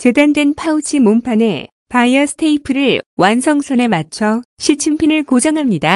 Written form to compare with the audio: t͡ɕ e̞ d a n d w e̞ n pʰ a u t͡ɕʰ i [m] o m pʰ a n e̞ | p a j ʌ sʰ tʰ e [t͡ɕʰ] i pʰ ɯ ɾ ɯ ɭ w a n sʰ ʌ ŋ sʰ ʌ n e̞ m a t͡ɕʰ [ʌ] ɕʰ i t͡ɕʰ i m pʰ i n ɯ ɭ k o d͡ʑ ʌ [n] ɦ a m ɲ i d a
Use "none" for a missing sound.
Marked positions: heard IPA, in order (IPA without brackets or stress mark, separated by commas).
m, none, ʌ, ŋ